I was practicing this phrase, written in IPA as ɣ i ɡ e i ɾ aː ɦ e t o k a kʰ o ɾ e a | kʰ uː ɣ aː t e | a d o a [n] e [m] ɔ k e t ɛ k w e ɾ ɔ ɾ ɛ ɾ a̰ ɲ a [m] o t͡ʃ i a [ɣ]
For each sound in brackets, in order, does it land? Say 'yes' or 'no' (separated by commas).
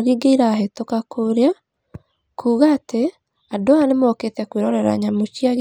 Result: yes, yes, yes, yes